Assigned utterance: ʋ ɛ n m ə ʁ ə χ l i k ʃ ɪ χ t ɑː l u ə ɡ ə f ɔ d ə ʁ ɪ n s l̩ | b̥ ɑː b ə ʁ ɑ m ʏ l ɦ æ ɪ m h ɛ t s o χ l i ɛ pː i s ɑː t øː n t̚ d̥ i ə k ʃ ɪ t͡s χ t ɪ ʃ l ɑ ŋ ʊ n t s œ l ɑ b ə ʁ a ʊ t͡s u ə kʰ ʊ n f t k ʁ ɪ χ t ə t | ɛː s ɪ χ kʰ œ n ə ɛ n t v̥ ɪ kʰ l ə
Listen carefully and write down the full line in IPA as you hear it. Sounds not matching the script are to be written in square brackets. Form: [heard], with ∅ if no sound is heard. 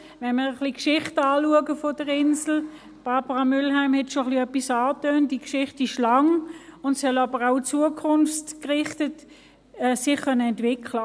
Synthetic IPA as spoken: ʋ ɛ n m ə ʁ ə χ l i k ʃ ɪ χ t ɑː l u ə ɡ ə f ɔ d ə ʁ ɪ n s l̩ | b̥ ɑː b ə ʁ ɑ m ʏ l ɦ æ ɪ m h ɛ t [ʃ] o χ l i [œ] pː i s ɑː t øː n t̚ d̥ i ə k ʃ ɪ [∅] χ t ɪ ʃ l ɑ ŋ ʊ n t s œ l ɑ b ə ʁ a ʊ t͡s u ə kʰ ʊ n f t k ʁ ɪ χ t ə t | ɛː s ɪ χ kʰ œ n ə ɛ n t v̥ ɪ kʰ l ə